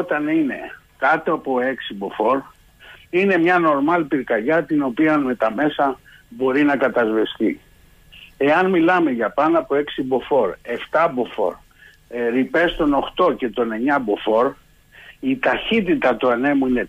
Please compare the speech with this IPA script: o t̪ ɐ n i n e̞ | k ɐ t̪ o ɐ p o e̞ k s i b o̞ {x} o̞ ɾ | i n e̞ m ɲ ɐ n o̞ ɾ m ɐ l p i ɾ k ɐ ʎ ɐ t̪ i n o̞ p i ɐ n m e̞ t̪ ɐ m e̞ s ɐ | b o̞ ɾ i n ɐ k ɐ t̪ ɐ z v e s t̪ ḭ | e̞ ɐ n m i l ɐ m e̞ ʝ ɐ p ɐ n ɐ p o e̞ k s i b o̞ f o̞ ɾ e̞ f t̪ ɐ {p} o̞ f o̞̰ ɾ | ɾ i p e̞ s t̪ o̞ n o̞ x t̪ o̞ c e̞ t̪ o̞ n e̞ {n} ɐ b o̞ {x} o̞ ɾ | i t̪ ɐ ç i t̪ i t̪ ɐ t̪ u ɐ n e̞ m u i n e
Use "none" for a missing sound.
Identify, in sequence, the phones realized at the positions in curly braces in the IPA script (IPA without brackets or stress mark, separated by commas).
f, b, ɲ, f